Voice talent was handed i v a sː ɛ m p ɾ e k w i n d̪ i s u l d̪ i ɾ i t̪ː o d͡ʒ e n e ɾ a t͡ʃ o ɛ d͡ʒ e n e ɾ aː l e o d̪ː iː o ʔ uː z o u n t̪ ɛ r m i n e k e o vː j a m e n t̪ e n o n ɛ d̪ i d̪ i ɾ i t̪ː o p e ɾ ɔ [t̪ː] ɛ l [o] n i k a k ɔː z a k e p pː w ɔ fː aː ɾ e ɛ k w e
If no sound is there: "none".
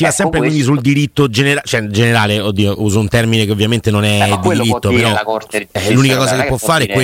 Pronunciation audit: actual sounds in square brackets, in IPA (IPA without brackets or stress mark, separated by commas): none, u